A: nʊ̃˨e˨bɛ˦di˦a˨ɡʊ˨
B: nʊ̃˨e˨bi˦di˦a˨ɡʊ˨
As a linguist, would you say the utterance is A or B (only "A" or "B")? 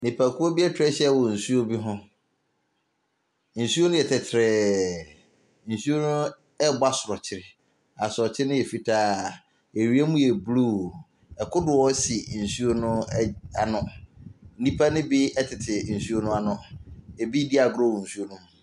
B